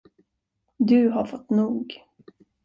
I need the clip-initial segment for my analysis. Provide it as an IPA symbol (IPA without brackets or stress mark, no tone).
d̪